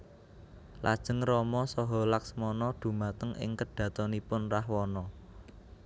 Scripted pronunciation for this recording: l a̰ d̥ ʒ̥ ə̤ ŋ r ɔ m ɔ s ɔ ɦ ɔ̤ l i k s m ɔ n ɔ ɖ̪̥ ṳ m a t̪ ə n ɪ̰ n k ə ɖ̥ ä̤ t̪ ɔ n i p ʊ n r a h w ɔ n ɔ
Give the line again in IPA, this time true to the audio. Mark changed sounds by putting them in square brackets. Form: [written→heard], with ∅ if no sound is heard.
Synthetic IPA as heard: l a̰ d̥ ʒ̥ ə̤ ŋ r ɔ m ɔ s ɔ ɦ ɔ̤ l [i→a] k s m ɔ n ɔ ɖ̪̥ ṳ m a t̪ ə [n→ŋ] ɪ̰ [n→ŋ] k ə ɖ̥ ä̤ t̪ ɔ n i p ʊ n r a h w ɔ n ɔ